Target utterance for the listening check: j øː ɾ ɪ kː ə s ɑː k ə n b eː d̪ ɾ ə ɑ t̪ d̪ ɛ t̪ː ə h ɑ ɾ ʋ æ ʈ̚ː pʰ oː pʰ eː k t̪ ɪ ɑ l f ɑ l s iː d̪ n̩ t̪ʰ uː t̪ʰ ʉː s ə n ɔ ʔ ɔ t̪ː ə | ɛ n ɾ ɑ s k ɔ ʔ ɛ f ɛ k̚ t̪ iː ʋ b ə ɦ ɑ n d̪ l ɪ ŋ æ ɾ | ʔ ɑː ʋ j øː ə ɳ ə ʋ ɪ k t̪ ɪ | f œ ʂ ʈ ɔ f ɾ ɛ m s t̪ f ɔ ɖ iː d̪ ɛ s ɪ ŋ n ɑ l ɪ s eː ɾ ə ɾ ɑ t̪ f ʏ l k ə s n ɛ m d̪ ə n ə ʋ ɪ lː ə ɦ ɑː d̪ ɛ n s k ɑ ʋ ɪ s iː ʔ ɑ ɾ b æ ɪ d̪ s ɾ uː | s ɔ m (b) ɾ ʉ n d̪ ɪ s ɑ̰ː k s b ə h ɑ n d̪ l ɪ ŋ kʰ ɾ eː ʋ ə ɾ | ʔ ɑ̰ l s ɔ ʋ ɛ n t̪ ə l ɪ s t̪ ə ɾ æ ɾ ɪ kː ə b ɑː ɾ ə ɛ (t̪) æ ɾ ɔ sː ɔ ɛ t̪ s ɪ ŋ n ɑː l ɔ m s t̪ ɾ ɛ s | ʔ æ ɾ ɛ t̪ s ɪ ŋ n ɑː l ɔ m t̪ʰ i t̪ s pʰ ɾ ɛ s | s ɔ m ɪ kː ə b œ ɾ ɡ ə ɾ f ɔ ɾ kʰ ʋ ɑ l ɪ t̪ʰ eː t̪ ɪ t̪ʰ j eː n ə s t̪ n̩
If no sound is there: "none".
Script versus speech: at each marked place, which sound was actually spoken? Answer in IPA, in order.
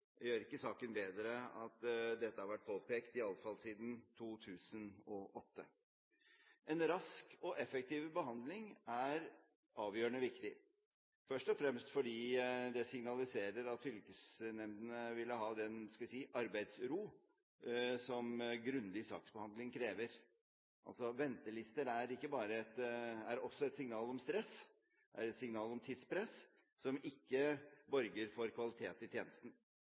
ɡ, t̪

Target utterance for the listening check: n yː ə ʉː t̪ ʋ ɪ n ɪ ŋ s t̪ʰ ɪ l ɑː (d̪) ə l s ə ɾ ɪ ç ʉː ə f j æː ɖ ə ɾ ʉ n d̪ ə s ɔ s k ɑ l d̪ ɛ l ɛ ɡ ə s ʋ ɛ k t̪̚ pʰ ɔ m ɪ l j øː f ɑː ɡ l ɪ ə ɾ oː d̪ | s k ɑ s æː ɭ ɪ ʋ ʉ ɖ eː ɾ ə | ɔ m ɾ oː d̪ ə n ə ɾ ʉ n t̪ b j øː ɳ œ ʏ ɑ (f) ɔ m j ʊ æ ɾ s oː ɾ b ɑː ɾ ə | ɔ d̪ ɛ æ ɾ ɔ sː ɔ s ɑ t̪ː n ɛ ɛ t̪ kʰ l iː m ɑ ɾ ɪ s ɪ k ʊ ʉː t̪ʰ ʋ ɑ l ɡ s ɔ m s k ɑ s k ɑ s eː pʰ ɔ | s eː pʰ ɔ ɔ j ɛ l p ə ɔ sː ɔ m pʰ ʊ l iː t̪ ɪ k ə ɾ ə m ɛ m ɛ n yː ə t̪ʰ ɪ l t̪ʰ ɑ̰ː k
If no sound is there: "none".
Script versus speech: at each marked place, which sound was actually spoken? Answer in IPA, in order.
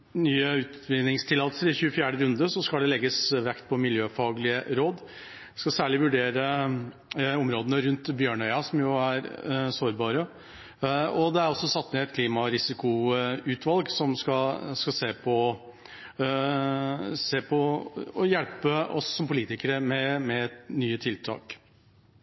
t̪, s

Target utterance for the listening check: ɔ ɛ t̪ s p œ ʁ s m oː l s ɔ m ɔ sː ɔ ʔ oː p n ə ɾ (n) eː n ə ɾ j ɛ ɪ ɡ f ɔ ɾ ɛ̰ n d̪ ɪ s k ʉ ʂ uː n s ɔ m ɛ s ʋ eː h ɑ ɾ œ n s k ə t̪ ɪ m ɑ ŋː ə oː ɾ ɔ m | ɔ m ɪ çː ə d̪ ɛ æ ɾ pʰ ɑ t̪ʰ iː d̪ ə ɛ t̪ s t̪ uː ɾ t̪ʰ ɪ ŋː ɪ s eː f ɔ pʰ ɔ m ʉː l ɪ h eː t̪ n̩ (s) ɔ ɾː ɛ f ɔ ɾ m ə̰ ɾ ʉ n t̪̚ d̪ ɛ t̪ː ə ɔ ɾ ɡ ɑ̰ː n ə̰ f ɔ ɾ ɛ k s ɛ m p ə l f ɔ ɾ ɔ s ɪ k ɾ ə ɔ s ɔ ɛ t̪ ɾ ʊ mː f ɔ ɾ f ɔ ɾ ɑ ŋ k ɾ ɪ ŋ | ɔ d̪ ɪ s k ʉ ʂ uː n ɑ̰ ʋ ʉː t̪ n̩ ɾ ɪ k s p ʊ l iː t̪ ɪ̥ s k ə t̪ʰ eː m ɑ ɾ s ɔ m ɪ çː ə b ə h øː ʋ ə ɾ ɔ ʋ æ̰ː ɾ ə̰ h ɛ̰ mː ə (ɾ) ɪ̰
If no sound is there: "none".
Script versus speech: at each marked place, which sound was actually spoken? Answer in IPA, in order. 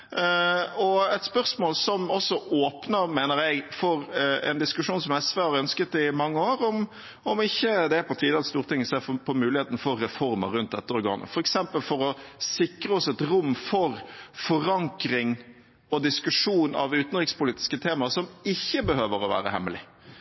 m, f, l

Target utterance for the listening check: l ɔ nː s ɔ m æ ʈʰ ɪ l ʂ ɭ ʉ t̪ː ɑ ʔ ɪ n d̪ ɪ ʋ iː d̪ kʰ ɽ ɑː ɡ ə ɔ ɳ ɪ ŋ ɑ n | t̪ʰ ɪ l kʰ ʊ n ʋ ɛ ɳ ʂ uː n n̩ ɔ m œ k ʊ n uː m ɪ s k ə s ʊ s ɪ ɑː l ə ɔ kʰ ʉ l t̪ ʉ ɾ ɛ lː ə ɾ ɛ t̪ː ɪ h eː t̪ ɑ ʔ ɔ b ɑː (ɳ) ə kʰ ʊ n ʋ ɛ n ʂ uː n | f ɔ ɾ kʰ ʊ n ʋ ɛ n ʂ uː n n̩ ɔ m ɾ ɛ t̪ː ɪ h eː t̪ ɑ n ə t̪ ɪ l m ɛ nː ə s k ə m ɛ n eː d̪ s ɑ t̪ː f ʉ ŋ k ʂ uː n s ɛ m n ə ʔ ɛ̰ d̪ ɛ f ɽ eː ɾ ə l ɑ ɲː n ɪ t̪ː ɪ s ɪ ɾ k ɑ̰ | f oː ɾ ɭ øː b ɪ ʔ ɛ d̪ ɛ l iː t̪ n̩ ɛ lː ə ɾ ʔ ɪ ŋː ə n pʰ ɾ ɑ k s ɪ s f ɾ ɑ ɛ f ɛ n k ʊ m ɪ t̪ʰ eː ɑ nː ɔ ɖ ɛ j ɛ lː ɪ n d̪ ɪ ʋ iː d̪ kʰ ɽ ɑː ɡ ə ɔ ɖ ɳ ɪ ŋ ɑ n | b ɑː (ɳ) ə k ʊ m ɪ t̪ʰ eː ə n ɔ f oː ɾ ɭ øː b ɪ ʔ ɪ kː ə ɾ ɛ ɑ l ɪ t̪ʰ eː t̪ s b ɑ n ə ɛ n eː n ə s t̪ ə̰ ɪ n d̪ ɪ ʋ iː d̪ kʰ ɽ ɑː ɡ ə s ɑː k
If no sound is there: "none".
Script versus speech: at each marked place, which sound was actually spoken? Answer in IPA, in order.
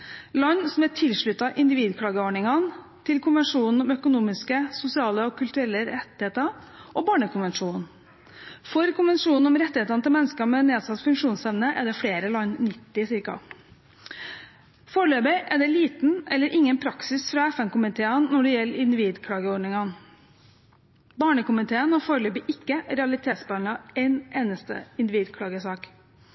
ɳ, ɳ

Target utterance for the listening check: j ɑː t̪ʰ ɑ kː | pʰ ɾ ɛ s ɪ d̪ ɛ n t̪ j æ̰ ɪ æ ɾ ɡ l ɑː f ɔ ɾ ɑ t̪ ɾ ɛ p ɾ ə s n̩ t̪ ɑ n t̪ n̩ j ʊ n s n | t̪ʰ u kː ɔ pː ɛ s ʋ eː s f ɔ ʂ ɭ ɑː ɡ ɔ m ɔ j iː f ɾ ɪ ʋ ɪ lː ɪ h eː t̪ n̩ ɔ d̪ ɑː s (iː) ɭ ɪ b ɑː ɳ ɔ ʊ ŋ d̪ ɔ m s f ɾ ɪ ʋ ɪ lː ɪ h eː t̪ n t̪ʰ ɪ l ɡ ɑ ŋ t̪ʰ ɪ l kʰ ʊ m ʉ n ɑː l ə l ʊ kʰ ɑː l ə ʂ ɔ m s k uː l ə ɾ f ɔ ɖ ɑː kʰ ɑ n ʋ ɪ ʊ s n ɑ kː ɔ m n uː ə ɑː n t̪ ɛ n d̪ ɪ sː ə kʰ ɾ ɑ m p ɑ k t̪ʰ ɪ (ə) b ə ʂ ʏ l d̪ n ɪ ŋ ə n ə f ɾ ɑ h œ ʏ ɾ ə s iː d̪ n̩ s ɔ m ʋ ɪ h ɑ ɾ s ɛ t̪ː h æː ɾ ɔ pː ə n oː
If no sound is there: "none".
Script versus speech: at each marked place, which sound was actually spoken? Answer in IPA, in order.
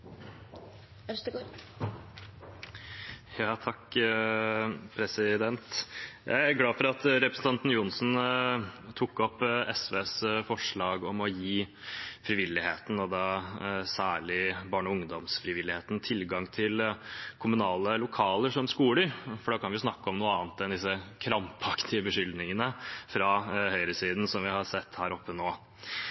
æː, ə

